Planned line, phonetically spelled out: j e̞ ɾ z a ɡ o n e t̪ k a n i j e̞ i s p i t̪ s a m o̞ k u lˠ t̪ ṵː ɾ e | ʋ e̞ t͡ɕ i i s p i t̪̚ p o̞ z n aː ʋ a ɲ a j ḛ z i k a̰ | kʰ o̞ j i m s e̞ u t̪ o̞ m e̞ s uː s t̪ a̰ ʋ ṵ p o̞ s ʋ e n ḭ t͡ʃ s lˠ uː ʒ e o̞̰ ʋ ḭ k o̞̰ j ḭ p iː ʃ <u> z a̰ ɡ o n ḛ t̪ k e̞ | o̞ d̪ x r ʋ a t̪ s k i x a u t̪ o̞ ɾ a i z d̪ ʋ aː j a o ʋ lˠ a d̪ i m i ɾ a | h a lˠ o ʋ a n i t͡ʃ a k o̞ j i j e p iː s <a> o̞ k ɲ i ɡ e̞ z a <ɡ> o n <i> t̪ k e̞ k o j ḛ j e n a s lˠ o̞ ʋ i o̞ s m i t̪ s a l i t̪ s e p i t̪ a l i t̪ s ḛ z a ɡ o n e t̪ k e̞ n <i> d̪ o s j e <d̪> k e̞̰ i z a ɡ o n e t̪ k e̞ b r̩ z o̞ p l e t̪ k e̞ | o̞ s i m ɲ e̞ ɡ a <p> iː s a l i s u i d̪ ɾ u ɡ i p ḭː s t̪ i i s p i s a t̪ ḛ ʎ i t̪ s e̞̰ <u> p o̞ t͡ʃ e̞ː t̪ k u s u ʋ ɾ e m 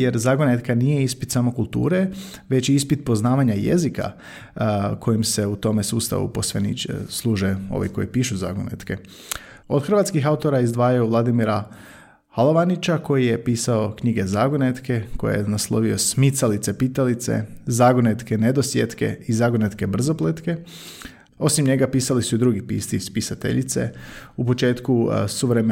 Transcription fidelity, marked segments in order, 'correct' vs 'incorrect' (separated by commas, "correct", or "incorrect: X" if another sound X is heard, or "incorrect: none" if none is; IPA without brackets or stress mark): correct, correct, correct, incorrect: e, incorrect: e, incorrect: t̪, correct, correct